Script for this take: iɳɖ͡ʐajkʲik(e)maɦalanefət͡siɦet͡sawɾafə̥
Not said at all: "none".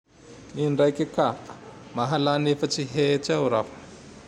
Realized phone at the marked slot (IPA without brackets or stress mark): a